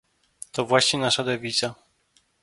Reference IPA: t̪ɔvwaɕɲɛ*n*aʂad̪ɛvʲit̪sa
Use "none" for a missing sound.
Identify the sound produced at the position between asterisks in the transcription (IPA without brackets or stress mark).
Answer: n